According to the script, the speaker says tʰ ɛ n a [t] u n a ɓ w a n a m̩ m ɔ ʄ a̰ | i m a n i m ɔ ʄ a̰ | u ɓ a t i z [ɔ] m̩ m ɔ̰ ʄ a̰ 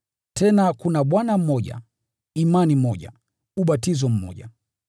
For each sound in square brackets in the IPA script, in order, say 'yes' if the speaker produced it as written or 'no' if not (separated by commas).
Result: no, yes